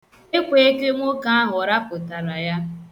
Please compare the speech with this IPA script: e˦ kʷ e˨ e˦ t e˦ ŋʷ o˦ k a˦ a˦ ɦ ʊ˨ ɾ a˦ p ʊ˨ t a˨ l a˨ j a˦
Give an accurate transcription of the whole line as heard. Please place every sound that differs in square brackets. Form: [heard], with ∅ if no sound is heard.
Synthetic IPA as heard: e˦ kʷ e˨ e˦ [k] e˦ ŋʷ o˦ k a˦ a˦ ɦ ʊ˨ ɾ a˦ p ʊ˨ t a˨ [ɾ] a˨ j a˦